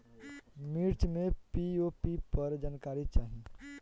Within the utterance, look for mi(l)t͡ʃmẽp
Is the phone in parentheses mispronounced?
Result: yes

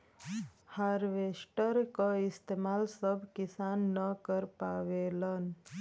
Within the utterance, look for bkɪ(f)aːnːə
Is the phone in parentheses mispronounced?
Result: yes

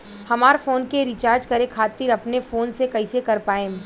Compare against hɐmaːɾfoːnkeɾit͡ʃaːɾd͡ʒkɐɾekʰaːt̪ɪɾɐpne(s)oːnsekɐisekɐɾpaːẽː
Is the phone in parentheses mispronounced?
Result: yes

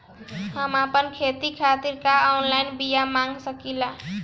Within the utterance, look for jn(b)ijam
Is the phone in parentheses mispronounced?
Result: no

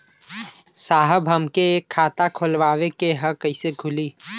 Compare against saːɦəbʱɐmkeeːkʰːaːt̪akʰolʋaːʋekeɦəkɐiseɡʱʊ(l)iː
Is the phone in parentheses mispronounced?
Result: no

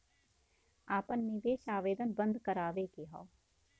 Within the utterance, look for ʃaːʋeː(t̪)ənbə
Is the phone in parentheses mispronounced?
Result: yes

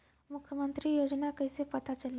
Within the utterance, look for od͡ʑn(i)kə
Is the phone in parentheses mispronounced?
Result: yes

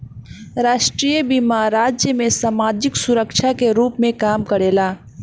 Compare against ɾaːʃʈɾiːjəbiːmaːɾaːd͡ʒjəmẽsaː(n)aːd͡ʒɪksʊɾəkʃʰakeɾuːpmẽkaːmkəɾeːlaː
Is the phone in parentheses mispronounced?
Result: yes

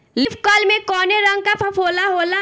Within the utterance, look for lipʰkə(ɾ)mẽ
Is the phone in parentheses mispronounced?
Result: yes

